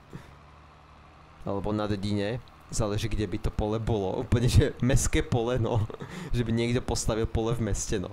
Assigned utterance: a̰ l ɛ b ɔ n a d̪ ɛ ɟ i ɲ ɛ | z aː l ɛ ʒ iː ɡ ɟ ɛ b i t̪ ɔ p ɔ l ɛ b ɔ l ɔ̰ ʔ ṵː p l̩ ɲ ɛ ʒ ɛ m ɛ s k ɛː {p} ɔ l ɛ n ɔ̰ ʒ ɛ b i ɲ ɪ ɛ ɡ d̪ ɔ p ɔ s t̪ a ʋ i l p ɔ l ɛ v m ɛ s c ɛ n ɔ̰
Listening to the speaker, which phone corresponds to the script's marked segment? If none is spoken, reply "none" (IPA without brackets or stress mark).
p